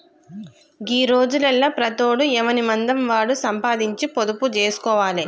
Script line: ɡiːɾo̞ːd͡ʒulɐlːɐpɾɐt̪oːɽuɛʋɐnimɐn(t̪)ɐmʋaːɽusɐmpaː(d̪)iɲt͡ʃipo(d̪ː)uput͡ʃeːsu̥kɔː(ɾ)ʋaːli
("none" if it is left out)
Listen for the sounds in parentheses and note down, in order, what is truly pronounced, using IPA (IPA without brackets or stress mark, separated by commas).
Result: d̪, d̪, d̪, none